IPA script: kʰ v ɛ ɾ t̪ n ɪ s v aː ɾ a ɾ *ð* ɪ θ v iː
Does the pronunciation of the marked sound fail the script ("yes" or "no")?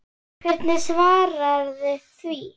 no